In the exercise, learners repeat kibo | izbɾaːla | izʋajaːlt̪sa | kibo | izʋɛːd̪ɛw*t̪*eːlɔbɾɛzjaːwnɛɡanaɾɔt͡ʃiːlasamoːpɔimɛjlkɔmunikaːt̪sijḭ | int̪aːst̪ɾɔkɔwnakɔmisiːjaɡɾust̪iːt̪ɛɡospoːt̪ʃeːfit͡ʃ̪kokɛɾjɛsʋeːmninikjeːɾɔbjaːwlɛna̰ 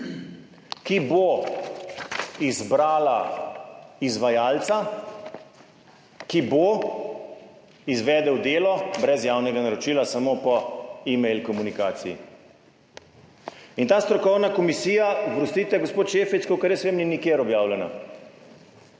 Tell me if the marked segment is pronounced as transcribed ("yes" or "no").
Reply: no